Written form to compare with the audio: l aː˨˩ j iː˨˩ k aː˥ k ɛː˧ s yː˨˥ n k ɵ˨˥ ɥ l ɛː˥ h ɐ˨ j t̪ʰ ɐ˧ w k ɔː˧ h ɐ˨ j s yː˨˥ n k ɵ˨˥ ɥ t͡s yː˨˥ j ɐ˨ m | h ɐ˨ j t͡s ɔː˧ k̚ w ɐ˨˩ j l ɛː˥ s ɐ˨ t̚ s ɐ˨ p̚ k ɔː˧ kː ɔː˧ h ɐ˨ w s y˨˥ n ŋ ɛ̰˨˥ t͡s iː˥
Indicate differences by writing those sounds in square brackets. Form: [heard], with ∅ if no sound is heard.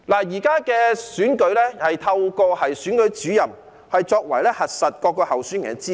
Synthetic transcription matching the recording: l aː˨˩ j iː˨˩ k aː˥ k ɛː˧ s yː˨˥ n k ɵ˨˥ ɥ l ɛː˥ h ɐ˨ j t̪ʰ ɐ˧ w k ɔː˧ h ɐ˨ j s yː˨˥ n k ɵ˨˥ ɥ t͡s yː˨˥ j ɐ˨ m | h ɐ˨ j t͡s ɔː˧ k̚ w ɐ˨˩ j l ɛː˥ [h] ɐ˨ t̚ s ɐ˨ [t̚] k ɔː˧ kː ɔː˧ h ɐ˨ w s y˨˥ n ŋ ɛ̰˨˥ t͡s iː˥